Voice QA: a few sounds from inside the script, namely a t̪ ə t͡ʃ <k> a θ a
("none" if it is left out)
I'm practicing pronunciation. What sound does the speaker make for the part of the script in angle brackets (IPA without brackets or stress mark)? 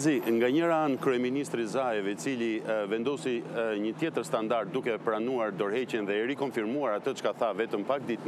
k